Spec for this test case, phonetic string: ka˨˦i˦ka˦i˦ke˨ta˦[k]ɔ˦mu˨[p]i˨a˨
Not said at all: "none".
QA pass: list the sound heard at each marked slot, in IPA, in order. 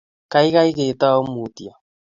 none, t

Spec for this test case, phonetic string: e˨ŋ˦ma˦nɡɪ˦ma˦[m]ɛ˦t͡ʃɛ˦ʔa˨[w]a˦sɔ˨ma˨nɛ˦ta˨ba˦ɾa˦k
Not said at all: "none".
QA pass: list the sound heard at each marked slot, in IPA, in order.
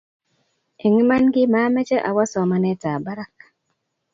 m, w

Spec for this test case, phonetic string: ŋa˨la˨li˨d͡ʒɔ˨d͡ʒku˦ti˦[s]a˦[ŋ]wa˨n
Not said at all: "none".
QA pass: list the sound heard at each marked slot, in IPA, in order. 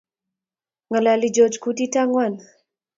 t, ŋ

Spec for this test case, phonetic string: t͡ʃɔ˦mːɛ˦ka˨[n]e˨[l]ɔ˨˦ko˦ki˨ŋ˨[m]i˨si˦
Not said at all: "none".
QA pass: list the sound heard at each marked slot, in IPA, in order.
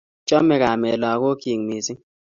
m, l, m

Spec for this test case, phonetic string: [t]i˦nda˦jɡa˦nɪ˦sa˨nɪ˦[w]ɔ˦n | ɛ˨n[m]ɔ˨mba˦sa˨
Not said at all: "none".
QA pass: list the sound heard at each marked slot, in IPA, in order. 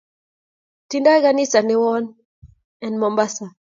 t, w, m

